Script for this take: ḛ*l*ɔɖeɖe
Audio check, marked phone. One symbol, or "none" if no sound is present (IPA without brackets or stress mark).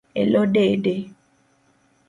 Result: l